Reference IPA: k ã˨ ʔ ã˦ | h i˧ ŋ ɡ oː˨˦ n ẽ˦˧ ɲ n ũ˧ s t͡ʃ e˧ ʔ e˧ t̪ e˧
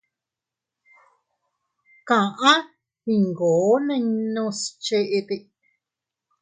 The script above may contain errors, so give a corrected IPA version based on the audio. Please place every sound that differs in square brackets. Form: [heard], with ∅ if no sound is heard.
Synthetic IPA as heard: k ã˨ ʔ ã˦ | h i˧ ŋ ɡ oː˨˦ n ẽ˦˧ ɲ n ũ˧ s t͡ʃ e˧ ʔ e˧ t̪ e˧